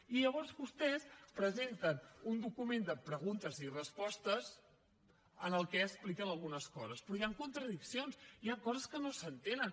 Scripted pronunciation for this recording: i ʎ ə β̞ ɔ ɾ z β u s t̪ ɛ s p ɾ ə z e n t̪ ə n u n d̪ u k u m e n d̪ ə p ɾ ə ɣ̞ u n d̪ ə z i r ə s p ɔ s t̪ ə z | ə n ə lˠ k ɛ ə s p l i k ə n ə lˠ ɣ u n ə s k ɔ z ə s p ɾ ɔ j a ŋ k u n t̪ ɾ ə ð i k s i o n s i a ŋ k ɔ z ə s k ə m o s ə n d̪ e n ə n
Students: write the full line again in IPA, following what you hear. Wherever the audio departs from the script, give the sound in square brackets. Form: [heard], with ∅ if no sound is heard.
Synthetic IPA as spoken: i ʎ ə β̞ ɔ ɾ z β u s t̪ ɛ s p ɾ ə z e n t̪ ə n u n d̪ u k u m e n d̪ ə p ɾ ə ɣ̞ u n [t̪] ə z i r ə s p ɔ s t̪ ə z | ə n ə lˠ k ɛ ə s p l i k ə n ə lˠ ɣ u n ə s k ɔ z ə s p ɾ ɔ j a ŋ k u n t̪ ɾ ə ð i k s i o n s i a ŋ k ɔ z ə s k ə [n] o s ə n [t̪] e n ə n